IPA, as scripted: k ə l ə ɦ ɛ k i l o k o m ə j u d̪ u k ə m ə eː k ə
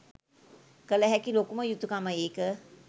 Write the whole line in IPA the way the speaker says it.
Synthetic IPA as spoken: k ə l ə ɦ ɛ k i l o k u m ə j u t̪ u k a m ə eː k ə